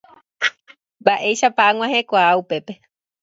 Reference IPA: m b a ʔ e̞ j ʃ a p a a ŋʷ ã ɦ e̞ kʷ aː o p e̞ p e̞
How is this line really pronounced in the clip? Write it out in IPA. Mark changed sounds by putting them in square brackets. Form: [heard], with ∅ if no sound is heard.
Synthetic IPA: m b a ʔ e̞ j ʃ a p a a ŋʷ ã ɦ e̞ kʷ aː [u] p e̞ p e̞